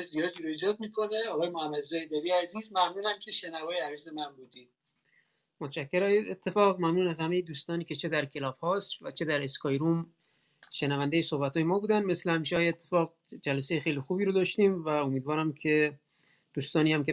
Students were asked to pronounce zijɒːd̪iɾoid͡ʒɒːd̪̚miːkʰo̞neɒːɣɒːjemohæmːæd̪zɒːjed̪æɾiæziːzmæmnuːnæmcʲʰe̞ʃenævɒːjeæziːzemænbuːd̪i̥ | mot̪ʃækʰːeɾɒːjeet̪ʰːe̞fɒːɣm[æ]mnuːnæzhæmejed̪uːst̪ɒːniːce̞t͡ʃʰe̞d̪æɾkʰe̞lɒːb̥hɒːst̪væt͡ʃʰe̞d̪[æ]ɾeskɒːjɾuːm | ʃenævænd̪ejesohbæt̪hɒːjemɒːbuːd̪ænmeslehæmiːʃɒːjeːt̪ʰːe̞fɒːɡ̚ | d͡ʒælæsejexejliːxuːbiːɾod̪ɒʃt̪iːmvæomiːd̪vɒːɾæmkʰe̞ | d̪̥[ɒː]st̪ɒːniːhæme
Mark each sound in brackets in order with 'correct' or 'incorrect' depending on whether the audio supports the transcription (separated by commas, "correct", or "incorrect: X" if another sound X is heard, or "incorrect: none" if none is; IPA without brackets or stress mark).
correct, correct, incorrect: uː